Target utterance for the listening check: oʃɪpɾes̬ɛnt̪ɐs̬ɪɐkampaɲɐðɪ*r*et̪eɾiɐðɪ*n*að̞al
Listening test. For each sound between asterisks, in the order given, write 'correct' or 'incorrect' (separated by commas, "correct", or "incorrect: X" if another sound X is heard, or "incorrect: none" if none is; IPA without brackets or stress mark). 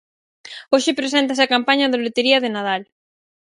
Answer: incorrect: l, correct